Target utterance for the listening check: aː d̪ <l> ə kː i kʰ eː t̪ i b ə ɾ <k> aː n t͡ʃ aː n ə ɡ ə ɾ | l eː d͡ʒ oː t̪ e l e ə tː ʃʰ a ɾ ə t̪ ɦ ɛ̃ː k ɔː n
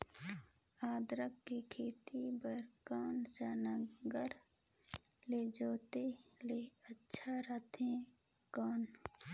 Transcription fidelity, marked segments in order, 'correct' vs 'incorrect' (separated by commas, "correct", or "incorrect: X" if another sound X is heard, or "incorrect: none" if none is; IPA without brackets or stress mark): incorrect: ɾ, correct